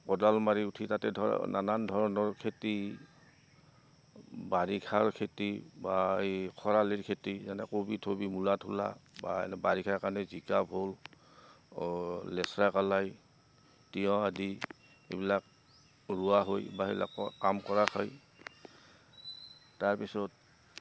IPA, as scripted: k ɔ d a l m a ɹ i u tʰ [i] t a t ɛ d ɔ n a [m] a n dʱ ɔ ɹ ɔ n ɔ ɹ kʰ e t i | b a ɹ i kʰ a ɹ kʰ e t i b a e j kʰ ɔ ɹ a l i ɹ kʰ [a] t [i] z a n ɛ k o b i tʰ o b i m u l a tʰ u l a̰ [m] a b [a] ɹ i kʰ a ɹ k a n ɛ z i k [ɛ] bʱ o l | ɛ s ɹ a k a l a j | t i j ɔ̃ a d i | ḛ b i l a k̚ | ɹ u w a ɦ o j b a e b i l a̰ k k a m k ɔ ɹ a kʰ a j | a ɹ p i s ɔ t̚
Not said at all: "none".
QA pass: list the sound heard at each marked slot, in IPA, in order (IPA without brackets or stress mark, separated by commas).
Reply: i, n, e, i, b, a, a